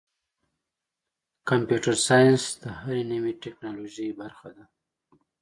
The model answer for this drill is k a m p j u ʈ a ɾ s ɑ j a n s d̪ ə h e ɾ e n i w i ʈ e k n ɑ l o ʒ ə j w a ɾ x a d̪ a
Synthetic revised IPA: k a m p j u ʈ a ɾ s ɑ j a n s d̪ ə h a ɾ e n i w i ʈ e k n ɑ l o ʒ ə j b a ɾ x a d̪ a